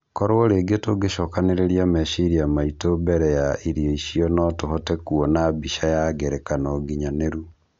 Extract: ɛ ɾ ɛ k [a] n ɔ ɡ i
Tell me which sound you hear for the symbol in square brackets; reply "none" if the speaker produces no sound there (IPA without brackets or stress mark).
a